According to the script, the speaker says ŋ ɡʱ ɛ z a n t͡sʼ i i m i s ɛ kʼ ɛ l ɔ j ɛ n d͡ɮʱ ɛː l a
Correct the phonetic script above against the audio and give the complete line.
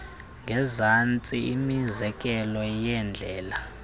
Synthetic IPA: ŋ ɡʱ ɛ z a n t͡sʼ i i m i z ɛ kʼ ɛ l ɔ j ɛ n d͡ɮʱ ɛː l a